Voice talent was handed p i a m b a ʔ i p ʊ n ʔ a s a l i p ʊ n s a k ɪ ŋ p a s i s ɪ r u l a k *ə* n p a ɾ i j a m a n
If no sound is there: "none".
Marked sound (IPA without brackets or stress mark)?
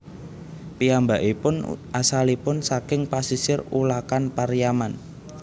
a